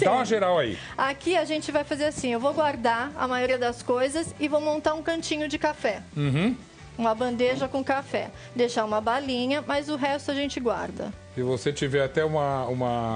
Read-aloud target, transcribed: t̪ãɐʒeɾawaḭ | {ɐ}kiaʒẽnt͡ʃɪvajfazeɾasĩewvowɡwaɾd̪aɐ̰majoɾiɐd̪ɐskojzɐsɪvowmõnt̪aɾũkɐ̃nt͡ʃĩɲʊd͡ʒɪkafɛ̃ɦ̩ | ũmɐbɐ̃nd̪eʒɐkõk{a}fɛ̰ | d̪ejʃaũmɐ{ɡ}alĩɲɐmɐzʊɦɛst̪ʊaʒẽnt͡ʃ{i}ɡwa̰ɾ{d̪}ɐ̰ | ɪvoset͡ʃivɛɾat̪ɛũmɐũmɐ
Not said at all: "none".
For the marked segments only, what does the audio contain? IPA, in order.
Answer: a, a, b, ɪ, d̪

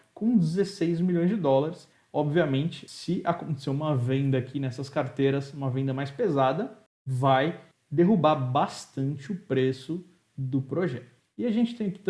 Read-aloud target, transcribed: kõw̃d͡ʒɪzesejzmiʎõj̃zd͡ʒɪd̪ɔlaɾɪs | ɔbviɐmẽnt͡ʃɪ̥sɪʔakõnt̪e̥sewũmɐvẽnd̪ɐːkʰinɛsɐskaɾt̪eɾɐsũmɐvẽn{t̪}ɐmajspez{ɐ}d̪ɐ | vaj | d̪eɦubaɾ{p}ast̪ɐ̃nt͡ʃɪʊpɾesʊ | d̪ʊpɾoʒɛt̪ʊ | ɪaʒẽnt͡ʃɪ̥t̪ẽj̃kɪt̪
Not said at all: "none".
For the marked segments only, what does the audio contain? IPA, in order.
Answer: d̪, a, b

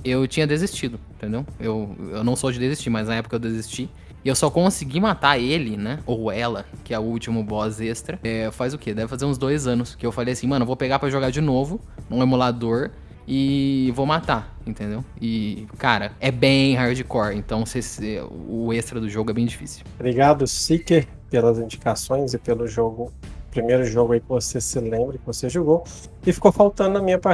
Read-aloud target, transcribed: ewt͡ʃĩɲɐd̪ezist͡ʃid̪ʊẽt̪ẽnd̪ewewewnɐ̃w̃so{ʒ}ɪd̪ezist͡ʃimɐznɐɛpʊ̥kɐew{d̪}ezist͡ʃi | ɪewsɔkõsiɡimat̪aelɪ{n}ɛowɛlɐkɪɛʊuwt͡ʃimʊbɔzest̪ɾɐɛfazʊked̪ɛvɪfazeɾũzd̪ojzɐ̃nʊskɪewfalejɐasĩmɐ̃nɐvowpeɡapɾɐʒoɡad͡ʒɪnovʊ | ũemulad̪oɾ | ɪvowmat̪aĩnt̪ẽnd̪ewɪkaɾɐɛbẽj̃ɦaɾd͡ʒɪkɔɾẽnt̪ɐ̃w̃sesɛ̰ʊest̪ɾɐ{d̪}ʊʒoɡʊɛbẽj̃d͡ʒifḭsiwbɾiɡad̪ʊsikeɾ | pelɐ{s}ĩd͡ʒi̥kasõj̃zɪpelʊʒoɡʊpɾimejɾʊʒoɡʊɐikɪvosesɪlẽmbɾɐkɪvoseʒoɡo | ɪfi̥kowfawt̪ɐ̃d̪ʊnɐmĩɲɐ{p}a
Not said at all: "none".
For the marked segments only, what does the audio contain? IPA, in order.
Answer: d͡ʒ, d̪, n, d̪, z, p

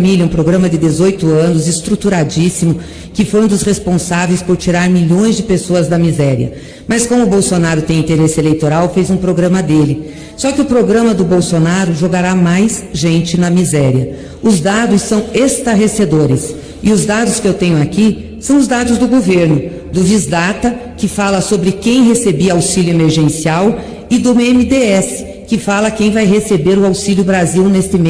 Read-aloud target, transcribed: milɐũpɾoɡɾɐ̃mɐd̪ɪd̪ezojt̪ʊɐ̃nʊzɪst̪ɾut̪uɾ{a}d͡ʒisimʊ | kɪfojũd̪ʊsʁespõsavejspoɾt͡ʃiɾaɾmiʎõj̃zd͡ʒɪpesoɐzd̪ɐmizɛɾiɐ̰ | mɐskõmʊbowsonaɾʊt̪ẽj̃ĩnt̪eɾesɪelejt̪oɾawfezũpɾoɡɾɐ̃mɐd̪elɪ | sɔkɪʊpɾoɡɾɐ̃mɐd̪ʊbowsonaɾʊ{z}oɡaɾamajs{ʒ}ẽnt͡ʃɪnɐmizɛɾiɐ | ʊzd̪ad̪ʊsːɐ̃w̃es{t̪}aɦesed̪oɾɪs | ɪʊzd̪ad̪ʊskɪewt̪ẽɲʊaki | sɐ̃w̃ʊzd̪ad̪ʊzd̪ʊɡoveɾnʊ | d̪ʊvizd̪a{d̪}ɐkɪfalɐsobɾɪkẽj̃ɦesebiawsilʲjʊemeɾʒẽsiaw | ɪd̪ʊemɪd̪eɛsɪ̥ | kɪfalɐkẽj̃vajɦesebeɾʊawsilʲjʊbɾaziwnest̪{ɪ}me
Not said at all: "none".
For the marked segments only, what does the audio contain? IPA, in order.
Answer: a, ʒ, ʒ, t̪, t̪, ɪ

